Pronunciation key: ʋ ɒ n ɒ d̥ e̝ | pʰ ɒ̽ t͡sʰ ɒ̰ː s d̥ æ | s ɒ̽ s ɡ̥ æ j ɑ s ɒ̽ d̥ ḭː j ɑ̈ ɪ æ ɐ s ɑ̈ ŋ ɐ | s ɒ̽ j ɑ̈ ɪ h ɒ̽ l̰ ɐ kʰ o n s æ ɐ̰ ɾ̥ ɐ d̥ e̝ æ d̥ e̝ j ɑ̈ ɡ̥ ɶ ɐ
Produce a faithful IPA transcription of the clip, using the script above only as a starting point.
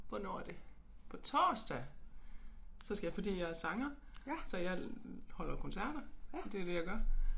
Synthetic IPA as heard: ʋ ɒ n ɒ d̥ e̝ | pʰ ɒ̽ t͡sʰ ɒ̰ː s d̥ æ | s ɒ̽ s ɡ̥ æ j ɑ f ɒ̽ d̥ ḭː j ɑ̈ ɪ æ ɐ s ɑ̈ ŋ ɐ | s ɒ̽ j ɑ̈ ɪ h ɒ̽ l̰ ɐ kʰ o n s æ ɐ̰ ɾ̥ ɐ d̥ e̝ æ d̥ e̝ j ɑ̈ ɡ̥ ɶ ɐ